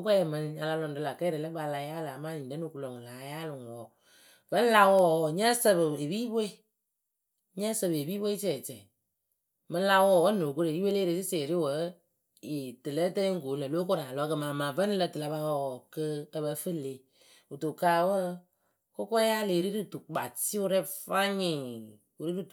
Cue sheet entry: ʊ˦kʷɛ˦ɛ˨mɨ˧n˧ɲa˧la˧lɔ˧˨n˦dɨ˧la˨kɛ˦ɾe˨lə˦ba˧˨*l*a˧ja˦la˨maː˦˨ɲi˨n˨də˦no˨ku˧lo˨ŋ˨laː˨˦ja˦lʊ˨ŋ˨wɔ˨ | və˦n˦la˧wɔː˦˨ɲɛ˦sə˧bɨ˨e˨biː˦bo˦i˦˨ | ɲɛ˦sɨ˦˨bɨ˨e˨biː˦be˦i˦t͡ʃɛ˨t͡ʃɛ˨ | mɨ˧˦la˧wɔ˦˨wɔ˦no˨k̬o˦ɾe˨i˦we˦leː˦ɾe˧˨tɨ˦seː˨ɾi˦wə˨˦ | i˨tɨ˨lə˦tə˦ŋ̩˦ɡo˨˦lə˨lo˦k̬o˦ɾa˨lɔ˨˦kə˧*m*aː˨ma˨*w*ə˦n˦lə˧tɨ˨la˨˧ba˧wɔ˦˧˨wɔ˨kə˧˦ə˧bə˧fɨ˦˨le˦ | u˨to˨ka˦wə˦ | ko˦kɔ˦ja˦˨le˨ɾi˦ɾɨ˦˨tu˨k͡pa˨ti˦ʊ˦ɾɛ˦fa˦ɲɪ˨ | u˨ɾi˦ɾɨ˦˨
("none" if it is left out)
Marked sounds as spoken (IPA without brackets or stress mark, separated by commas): l, m, v